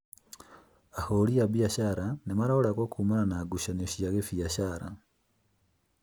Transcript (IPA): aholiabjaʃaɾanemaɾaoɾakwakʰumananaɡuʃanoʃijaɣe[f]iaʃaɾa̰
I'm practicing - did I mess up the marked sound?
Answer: no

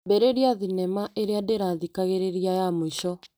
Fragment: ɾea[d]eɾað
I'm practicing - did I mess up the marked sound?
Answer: no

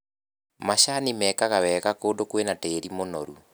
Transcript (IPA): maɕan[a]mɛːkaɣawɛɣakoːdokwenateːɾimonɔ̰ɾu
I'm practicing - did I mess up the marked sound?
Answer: yes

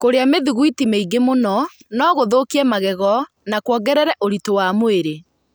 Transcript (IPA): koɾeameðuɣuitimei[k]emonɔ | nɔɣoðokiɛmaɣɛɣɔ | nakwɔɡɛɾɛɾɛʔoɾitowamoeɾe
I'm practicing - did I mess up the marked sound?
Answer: yes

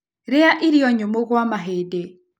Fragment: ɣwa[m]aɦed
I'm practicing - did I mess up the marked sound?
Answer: no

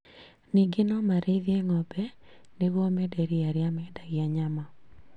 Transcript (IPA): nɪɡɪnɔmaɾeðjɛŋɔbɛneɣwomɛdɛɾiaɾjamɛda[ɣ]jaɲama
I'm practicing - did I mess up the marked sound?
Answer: no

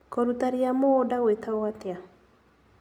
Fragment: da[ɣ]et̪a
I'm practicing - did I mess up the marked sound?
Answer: yes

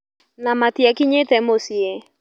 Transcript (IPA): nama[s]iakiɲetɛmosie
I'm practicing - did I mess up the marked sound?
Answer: yes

